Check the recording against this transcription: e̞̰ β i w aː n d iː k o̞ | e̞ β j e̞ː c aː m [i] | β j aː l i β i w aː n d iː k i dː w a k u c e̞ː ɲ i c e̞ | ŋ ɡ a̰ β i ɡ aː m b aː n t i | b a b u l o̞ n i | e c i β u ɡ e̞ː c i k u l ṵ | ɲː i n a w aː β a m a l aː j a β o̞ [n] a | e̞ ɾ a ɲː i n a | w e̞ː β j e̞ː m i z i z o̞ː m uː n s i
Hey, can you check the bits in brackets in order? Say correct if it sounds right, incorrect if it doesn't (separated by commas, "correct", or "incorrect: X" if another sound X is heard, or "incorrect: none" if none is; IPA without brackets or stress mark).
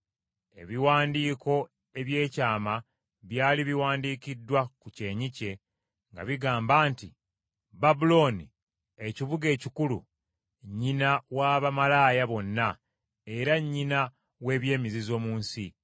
incorrect: a, incorrect: nː